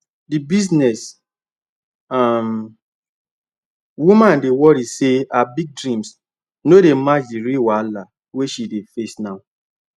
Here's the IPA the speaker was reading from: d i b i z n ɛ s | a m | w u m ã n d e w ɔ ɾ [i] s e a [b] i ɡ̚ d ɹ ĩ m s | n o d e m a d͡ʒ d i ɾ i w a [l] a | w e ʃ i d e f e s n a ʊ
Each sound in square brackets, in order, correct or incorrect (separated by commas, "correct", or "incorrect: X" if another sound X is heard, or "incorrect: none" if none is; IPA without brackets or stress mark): correct, correct, correct